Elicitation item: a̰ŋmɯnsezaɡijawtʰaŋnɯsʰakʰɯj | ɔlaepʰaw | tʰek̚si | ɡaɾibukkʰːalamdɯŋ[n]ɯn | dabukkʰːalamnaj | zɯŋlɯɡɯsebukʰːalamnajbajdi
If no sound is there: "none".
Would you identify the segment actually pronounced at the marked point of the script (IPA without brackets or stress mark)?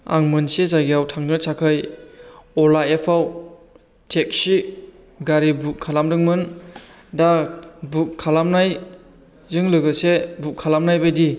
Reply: m